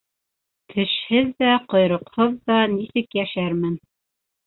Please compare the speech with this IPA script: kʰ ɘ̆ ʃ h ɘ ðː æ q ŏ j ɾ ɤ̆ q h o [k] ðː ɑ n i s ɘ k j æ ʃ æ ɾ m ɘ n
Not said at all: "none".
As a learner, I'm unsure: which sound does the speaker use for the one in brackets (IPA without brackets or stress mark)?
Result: none